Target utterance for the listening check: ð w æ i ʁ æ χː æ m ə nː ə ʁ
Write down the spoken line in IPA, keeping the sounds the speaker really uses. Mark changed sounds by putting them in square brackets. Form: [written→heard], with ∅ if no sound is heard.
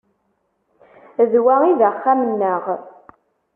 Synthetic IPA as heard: ð w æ i [ʁ→ð] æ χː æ m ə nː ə ʁ